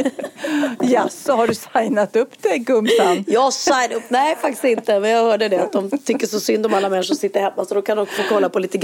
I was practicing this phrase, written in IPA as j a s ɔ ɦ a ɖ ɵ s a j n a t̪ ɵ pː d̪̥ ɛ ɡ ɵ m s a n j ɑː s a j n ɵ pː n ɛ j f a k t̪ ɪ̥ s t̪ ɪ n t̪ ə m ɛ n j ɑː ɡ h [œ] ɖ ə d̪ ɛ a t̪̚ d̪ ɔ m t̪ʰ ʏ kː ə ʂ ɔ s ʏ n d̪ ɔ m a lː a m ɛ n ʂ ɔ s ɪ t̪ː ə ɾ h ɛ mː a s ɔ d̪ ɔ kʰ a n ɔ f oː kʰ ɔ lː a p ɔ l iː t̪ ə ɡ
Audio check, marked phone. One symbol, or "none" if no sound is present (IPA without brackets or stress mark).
œː